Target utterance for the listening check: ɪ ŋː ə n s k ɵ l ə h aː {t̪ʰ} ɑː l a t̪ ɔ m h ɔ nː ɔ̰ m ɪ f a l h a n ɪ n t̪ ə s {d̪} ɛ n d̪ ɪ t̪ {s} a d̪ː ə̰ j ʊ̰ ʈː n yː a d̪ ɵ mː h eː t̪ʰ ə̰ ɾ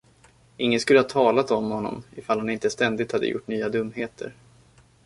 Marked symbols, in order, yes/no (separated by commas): yes, no, no